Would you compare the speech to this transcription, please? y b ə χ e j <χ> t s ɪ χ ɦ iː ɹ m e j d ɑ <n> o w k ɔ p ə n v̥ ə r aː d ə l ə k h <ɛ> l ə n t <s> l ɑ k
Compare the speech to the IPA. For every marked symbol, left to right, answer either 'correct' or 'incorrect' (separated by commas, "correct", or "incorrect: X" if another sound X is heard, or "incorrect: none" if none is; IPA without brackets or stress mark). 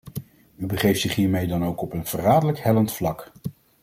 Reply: incorrect: f, correct, correct, incorrect: f